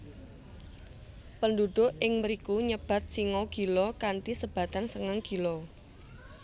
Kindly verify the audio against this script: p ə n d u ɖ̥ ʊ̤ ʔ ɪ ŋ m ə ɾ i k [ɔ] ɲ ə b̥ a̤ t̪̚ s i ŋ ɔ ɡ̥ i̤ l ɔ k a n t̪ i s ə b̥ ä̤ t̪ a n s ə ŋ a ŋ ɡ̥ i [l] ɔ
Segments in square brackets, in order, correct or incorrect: incorrect, correct

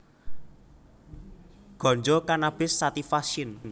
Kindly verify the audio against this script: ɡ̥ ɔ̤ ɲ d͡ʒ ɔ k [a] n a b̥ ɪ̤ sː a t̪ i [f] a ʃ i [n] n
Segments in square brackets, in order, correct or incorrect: correct, correct, correct

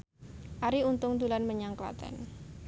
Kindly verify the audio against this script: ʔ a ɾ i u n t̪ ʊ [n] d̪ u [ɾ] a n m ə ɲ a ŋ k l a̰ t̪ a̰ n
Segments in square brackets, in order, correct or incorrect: incorrect, incorrect

